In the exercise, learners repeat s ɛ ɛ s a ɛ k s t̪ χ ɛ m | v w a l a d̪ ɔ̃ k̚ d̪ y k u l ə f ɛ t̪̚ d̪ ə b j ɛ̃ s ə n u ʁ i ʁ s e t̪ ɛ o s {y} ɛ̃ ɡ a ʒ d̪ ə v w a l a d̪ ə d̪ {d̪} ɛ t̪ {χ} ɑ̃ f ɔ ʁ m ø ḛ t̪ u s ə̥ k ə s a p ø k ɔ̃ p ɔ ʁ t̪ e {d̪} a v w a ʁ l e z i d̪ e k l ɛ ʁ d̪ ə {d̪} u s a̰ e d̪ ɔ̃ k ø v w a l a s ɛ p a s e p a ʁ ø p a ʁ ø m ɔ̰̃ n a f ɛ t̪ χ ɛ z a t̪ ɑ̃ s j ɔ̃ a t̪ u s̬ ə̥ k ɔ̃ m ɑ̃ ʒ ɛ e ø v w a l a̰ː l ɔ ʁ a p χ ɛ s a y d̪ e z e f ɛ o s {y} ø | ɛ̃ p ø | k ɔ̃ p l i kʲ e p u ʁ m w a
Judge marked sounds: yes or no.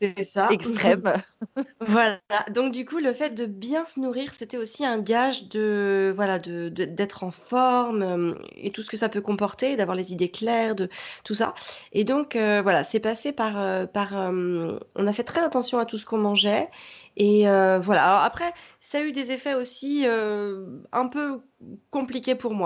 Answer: no, yes, yes, yes, no, no

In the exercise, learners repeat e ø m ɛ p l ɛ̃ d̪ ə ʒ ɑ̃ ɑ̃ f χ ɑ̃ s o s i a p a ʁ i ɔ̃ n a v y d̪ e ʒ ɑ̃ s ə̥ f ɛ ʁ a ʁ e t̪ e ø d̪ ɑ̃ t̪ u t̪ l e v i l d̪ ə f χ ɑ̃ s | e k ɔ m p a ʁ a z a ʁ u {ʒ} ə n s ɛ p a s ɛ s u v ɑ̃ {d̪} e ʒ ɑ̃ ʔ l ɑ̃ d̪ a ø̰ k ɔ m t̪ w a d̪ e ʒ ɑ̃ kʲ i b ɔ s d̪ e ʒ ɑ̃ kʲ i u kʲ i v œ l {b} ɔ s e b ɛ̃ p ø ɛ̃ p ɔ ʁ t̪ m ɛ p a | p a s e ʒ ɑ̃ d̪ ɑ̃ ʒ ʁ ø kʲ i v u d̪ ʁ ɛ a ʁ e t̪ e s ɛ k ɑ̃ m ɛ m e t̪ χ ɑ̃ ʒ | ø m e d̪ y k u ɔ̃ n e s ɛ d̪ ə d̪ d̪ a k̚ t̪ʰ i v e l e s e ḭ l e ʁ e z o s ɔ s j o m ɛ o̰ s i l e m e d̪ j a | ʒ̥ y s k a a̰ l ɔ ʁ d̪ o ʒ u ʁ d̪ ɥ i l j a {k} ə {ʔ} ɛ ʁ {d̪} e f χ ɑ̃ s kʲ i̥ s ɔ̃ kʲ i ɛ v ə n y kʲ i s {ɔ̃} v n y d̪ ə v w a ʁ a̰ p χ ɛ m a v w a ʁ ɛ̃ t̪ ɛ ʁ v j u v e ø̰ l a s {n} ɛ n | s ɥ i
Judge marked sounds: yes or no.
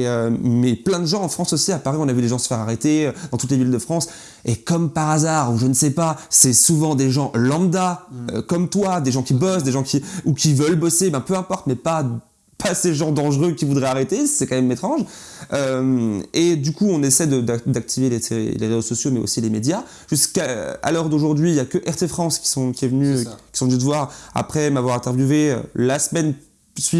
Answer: yes, yes, yes, yes, yes, no, yes, no

